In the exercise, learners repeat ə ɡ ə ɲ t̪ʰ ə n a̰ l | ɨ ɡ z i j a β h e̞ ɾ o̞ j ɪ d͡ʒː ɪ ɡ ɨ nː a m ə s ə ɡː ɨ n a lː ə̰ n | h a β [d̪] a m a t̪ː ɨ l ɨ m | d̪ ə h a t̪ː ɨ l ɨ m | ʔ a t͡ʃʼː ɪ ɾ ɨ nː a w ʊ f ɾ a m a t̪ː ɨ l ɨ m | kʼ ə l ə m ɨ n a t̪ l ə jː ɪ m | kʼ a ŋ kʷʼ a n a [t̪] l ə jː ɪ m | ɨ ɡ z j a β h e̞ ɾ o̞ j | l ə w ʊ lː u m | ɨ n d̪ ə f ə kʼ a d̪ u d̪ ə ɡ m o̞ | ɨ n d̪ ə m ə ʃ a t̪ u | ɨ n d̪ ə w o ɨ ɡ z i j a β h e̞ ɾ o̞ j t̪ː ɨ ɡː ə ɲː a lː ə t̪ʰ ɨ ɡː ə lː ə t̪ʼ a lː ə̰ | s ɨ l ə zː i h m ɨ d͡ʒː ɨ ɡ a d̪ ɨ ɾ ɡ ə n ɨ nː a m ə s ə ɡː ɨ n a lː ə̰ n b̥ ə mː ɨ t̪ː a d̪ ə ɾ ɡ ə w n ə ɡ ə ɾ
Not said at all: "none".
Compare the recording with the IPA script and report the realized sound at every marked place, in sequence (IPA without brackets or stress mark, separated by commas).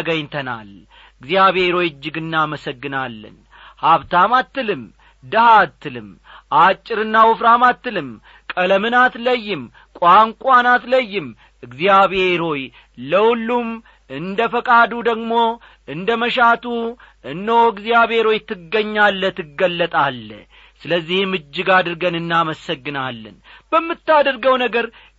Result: t̪, t̪